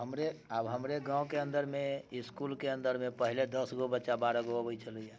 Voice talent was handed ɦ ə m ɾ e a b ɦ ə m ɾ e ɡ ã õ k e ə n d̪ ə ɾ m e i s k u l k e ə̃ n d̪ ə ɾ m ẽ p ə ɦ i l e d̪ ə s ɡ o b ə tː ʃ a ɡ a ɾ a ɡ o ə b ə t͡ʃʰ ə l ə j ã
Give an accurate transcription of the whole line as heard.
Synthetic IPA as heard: ɦ ə m ɾ e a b ɦ ə m ɾ e ɡ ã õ k e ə n d̪ ə ɾ m e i s k u l k e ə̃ n d̪ ə ɾ m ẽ p ə ɦ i l e d̪ ə s ɡ o b ə tː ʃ a b a ɾ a ɡ o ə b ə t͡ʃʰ ə l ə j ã